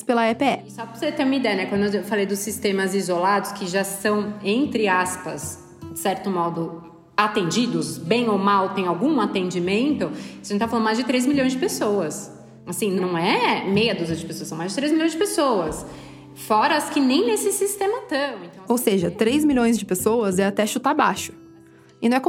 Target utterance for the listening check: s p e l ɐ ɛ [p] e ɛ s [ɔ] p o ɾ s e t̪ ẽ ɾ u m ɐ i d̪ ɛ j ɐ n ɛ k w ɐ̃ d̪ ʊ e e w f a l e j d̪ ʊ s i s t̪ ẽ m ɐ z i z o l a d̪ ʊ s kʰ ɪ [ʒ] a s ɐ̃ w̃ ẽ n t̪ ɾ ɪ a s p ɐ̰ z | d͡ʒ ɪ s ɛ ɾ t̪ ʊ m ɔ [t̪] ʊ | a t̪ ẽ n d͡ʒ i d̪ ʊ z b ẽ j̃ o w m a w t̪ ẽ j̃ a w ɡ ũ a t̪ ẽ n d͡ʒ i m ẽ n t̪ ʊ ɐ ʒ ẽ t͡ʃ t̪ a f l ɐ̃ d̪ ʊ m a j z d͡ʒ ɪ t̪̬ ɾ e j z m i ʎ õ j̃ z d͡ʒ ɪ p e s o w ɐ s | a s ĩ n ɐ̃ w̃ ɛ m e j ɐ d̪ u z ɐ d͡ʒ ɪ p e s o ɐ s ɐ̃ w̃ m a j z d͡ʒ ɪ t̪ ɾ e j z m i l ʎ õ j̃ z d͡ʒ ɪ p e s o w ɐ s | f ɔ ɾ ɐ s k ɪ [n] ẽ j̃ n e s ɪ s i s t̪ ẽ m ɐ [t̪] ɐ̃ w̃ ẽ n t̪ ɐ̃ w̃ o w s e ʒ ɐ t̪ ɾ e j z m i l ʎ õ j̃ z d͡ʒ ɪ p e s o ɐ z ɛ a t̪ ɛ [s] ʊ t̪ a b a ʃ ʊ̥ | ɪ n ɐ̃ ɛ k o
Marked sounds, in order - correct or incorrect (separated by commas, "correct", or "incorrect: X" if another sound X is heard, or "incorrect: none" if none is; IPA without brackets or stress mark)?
correct, correct, correct, incorrect: d̪, correct, correct, incorrect: ʃ